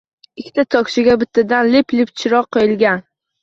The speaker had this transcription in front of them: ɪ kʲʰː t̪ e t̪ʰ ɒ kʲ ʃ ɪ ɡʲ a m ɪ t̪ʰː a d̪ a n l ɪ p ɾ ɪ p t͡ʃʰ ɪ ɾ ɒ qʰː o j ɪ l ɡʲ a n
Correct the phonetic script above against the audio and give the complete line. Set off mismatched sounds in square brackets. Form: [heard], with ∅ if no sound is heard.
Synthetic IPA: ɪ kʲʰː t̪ [a] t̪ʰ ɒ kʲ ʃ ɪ ɡʲ a [b] ɪ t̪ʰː a d̪ a n l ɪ p [l] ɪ p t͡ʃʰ ɪ ɾ ɒ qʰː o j ɪ l ɡʲ a n